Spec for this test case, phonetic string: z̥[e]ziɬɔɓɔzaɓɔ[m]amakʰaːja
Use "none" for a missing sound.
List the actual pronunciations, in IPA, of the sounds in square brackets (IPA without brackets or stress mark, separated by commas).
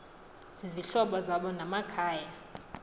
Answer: i, n